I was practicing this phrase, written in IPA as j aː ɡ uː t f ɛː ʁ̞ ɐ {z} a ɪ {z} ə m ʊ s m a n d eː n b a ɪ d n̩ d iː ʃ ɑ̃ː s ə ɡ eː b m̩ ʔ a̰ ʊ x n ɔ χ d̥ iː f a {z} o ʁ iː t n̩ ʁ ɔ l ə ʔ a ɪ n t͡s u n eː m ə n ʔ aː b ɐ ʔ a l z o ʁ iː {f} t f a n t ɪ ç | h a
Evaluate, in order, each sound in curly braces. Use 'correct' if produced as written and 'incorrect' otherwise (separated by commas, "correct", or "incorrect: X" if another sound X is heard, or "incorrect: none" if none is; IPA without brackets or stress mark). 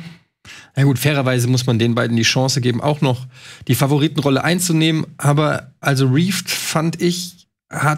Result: incorrect: v, correct, incorrect: v, correct